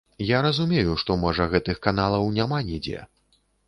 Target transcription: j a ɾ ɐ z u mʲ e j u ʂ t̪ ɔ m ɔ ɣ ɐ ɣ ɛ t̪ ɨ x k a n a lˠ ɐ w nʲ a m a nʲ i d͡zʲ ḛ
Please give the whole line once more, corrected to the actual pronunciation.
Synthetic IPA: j a ɾ ɐ z u mʲ e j u ʂ t̪ ɔ m ɔ ʐ ɐ ɣ ɛ t̪ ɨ x k a n a lˠ ɐ w nʲ a m a nʲ i d͡zʲ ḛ